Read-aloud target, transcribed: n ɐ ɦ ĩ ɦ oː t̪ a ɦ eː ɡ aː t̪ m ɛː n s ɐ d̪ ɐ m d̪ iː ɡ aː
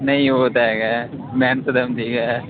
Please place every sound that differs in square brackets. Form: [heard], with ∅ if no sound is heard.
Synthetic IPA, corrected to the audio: n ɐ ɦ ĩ ɦ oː t̪ a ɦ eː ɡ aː [∅] m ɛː n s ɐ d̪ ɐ m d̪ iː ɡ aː